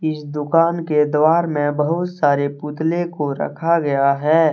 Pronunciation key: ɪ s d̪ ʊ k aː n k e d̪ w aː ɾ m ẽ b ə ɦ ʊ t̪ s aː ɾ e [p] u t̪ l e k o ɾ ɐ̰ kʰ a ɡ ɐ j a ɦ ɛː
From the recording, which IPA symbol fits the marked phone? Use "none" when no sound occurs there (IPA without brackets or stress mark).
p